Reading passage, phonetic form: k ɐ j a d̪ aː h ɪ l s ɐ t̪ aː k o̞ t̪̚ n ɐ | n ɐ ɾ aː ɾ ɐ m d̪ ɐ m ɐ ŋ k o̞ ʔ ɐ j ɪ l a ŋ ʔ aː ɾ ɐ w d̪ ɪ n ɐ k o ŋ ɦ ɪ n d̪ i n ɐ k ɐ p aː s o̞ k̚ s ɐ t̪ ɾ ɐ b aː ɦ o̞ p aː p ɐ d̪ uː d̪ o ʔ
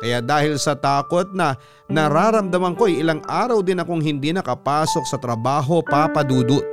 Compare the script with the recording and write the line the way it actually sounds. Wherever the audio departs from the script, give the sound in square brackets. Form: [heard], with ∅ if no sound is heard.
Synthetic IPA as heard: k ɐ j a d̪ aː h ɪ l s ɐ t̪ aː k o̞ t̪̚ n ɐ | n ɐ ɾ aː ɾ ɐ m d̪ ɐ m ɐ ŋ k o̞ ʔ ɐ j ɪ l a ŋ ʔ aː ɾ ɐ w d̪ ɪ n ɐ k o ŋ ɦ ɪ n d̪ i n ɐ k ɐ p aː s o̞ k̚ s ɐ t̪ ɾ ɐ b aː ɦ o̞ p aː p ɐ d̪ uː d̪ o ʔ